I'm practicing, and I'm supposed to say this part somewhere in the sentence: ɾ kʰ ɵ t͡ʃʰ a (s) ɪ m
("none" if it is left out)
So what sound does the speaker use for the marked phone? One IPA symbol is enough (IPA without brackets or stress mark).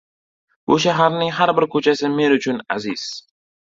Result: s